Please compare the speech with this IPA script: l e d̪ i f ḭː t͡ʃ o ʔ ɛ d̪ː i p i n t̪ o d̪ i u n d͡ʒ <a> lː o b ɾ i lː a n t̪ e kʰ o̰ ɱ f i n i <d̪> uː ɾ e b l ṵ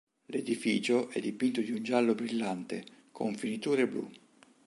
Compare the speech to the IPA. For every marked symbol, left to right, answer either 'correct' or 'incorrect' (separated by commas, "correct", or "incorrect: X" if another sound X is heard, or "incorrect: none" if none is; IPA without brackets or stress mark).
correct, incorrect: t̪